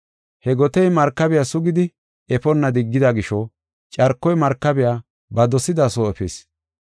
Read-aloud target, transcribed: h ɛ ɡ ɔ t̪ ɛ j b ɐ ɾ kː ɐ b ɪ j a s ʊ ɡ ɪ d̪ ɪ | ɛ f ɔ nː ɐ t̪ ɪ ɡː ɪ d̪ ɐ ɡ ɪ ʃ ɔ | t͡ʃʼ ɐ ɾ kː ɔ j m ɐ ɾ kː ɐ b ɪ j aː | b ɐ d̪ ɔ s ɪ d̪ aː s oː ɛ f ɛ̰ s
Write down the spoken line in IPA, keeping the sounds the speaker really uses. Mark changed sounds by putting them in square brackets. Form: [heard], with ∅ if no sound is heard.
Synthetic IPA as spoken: h ɛ ɡ ɔ t̪ ɛ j [m] ɐ ɾ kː ɐ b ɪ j a s ʊ ɡ ɪ d̪ ɪ | ɛ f ɔ nː ɐ [d̪] ɪ ɡː ɪ d̪ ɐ ɡ ɪ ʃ ɔ | t͡ʃʼ ɐ ɾ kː ɔ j m ɐ ɾ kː ɐ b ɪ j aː | b ɐ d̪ ɔ s ɪ d̪ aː s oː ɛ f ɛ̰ s